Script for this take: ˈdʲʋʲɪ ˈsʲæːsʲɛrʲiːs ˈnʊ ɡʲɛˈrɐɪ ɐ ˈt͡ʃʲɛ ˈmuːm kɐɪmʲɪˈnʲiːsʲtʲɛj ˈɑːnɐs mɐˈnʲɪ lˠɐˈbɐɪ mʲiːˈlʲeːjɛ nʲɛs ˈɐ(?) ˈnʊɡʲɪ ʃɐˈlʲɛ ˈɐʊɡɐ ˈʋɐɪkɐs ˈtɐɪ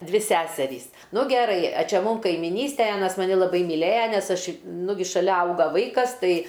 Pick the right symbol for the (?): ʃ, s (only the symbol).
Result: ʃ